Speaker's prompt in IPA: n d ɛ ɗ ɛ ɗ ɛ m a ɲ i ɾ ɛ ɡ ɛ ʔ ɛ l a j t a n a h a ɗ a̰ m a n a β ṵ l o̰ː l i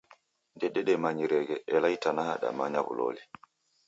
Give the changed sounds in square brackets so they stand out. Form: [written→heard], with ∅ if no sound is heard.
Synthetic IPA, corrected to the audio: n d ɛ ɗ ɛ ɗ ɛ m a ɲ i ɾ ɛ ɡ ɛ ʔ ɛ l a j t a n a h a ɗ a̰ m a [n→ɲ] a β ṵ l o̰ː l i